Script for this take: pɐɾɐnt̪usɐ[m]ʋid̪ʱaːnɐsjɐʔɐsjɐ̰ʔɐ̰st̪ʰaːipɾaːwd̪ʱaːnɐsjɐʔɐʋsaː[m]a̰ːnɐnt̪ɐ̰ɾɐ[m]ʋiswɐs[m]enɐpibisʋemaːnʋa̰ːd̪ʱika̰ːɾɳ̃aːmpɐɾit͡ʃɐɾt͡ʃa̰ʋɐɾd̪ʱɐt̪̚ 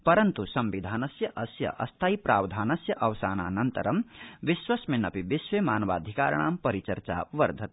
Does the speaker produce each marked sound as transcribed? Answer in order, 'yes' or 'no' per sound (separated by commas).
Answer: yes, no, yes, yes